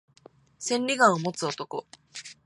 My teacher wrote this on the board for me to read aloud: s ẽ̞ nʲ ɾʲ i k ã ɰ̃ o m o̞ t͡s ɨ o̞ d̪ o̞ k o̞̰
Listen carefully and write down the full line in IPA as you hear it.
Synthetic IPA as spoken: s ẽ̞ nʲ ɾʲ i ɡ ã ɰ̃ o m o̞ t͡s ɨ o̞ t̪ o̞ k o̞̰